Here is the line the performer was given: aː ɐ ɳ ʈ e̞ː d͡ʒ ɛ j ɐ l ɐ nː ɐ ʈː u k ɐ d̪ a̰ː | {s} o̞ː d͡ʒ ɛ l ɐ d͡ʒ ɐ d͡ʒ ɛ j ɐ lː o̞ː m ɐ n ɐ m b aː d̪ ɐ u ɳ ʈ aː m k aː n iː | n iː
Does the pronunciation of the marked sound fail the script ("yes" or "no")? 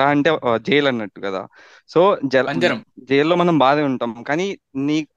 no